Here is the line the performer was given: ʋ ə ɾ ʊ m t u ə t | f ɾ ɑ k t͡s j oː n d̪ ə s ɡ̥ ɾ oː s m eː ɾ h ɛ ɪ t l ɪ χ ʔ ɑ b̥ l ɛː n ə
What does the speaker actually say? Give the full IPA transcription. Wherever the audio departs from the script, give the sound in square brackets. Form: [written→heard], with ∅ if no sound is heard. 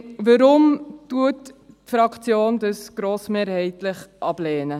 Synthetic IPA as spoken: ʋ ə ɾ ʊ m t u ə t | f ɾ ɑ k t͡s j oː n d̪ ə s ɡ̥ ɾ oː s m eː ɾ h ɛ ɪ t l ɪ χ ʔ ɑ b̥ l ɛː n ə